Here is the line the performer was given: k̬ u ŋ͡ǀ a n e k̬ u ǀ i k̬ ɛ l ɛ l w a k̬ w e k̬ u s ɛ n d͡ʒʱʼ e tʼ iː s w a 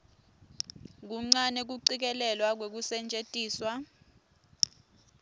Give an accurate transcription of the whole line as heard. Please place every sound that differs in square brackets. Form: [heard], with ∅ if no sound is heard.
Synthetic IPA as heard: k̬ u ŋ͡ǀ a n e k̬ u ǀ i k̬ ɛ l ɛ l w a k̬ w e k̬ u s ɛ n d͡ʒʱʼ e tʼ iː s w a